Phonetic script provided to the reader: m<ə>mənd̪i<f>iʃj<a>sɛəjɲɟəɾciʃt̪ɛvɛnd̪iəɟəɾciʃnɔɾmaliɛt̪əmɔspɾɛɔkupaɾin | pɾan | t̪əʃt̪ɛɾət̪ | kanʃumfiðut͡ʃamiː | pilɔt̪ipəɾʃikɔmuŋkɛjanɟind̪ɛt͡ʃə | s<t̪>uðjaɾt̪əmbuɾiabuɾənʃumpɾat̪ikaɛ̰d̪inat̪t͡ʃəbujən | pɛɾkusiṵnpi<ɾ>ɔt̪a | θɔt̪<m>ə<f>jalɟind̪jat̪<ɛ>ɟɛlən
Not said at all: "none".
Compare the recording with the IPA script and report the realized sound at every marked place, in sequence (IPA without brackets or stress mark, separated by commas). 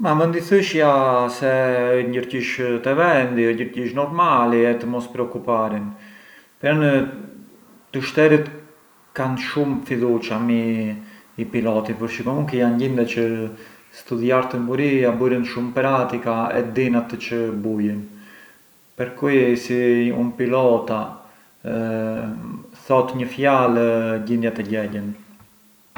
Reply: a, θ, a, t̪, l, ɲ, f, ɛ